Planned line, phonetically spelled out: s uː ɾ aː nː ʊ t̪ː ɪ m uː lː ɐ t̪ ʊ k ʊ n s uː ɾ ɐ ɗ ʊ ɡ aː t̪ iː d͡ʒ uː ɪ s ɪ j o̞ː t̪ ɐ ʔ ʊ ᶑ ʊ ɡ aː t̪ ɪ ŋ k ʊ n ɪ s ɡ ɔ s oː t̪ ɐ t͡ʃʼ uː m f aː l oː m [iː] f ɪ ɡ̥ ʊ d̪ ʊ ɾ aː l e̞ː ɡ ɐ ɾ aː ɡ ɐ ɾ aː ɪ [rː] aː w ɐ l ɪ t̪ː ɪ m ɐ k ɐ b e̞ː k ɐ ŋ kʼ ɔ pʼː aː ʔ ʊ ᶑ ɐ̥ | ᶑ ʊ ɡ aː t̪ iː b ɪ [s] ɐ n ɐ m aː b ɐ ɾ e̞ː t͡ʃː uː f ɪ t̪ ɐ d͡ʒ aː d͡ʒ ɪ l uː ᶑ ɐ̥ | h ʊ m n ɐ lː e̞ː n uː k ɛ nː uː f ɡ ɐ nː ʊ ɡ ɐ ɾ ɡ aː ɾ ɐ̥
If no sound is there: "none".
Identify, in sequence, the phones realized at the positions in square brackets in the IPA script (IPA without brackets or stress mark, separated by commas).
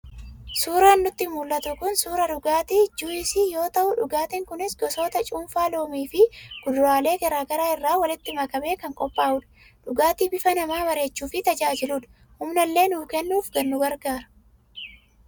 iː, rː, f